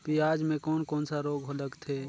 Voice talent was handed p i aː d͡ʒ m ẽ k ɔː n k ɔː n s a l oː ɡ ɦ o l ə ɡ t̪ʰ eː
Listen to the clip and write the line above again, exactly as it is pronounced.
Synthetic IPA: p i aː d͡ʒ m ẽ k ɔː n k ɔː n s a ɾ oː ɡ ɦ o l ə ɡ t̪ʰ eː